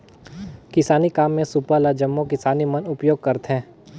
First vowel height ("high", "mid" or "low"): high